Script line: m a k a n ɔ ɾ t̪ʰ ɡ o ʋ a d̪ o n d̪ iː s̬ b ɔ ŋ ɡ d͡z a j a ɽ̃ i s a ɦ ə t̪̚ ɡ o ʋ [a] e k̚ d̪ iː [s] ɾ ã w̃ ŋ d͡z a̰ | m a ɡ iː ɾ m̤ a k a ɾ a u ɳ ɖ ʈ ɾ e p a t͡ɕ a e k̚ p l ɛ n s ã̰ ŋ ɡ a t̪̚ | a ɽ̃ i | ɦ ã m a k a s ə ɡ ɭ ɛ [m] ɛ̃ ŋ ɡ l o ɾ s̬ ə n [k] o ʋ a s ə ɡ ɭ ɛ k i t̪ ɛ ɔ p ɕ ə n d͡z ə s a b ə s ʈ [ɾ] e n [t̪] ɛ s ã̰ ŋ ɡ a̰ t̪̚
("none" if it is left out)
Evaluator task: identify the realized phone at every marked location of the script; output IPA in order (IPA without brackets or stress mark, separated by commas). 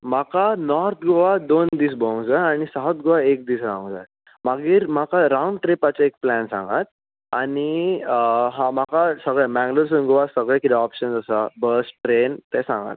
a, s, m, ɡ, ɾ, t̪